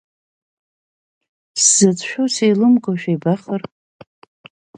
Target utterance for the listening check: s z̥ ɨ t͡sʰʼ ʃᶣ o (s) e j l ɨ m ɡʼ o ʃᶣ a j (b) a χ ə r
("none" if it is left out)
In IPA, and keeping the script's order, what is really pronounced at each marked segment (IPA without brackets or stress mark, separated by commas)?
s, b